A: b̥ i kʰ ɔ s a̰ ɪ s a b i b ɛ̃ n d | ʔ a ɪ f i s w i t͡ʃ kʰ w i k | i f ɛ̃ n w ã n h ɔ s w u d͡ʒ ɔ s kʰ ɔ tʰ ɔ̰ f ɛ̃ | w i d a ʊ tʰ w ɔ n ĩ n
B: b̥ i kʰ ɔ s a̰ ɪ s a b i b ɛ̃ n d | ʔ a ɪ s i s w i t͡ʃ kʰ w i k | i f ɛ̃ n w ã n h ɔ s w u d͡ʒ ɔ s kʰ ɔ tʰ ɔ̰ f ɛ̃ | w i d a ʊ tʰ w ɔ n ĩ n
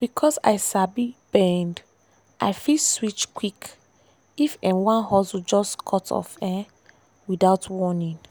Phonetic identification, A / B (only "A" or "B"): A